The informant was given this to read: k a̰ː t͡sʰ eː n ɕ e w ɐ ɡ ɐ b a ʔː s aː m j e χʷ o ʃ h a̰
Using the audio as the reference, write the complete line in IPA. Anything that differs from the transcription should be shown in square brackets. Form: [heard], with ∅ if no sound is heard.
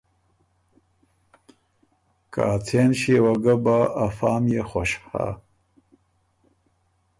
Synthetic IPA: k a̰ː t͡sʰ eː n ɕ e w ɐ ɡ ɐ b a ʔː [f] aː m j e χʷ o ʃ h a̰